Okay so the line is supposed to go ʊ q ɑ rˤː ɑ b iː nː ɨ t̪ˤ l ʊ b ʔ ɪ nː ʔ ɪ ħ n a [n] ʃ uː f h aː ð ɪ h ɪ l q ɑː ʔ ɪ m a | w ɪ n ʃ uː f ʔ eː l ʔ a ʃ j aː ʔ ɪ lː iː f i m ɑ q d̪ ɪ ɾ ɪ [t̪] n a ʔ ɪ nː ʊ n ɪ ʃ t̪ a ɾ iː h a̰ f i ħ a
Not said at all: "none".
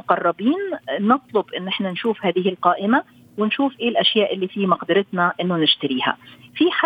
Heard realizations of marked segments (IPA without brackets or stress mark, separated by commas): n, t̪